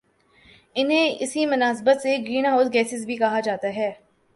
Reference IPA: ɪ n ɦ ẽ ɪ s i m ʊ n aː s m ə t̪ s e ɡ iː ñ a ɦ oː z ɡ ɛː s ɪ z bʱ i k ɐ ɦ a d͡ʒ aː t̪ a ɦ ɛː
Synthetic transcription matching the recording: ɪ n ɦ ẽ ɪ s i m ʊ n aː s b ə t̪ s e ɡ iː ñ a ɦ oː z ɡ ɛː s ɪ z bʱ i k ɐ ɦ a d͡ʒ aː t̪ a ɦ ɛː